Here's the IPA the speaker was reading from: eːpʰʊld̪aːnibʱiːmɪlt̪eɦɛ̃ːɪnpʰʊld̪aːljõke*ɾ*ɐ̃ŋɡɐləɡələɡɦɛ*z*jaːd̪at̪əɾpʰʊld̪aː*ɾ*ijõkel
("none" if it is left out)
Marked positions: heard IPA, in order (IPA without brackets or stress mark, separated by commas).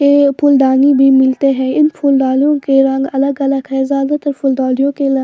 ɾ, z, l